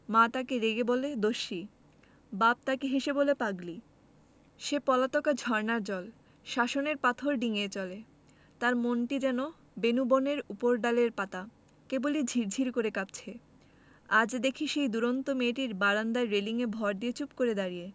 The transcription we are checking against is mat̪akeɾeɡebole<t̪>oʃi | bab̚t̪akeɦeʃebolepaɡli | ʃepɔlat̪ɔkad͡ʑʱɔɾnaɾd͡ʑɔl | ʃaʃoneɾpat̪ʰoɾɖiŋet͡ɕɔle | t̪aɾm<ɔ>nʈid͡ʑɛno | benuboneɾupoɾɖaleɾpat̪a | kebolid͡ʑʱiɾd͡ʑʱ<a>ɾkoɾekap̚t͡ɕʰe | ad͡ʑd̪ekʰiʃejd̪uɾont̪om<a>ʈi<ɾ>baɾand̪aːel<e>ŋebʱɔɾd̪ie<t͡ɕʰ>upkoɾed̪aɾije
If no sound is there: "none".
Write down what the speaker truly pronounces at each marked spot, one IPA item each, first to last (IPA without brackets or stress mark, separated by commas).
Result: d̪, o, i, e, ɾ, i, t͡ɕ